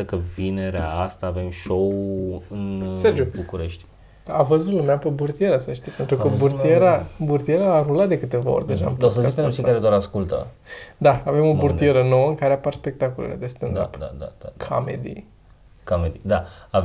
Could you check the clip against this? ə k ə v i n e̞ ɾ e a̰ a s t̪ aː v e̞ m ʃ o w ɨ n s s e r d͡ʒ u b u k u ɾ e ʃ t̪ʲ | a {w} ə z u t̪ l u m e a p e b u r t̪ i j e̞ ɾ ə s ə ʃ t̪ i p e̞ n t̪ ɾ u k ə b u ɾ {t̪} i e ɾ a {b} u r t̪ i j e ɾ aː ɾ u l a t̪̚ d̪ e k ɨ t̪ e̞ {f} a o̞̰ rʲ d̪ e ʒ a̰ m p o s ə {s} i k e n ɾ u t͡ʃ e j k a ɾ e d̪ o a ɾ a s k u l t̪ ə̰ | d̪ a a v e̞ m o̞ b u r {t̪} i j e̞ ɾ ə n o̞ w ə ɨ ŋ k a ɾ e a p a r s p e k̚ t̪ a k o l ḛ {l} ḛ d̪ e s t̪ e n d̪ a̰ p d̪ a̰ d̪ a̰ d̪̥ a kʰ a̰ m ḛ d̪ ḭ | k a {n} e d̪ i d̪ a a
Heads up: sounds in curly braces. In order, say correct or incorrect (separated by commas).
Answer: incorrect, correct, correct, incorrect, incorrect, correct, correct, incorrect